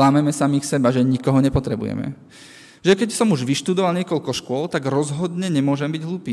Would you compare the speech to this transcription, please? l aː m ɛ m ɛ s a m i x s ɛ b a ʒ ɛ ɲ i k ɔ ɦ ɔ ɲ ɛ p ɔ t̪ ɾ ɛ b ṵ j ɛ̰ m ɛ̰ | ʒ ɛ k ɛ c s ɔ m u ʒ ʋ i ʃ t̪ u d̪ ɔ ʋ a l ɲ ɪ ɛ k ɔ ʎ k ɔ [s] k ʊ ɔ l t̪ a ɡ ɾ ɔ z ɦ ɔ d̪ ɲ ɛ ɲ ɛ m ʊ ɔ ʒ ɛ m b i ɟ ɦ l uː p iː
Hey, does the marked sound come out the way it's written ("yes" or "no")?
no